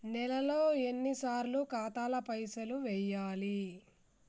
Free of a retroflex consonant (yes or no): yes